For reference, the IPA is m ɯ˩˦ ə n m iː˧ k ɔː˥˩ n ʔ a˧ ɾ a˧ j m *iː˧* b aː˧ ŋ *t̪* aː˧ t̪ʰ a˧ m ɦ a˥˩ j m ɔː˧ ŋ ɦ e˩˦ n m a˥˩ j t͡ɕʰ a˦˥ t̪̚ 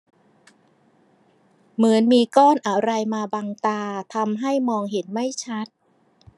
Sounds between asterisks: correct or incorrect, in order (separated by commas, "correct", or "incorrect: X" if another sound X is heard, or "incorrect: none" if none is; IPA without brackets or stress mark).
incorrect: aː˧, correct